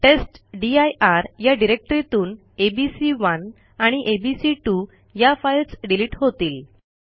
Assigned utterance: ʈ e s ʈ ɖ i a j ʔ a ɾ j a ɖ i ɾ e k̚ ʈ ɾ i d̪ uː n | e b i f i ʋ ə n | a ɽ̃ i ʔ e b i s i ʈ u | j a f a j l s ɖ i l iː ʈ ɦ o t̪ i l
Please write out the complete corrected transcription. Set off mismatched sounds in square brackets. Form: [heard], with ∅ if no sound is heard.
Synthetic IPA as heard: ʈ e s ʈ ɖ i a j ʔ a ɾ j a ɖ i ɾ e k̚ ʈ ɾ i [t̪] uː n | e b i [s] i ʋ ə n | a ɽ̃ i ʔ e b i s i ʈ u | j a f a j l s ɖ i l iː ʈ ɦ o t̪ [iː] l